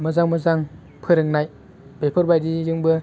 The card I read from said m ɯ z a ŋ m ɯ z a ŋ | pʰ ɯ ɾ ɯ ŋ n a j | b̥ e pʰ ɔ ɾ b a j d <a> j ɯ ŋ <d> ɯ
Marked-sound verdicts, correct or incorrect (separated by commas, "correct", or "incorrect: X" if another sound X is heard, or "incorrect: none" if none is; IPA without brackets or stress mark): incorrect: i, incorrect: b